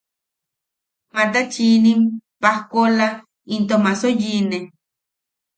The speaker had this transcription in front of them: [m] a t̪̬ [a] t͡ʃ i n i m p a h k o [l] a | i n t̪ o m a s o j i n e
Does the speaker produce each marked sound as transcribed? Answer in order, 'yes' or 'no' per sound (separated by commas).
yes, yes, yes